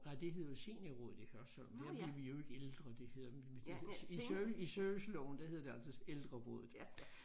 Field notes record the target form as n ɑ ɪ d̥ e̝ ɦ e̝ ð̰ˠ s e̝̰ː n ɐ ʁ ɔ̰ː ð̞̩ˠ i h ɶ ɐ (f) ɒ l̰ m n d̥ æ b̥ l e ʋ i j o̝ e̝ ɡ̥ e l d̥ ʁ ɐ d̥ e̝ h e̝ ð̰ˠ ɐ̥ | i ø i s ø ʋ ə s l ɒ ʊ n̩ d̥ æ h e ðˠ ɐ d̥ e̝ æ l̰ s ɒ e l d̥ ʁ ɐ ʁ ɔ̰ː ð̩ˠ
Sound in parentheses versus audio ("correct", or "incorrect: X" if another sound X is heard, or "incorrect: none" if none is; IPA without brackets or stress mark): incorrect: s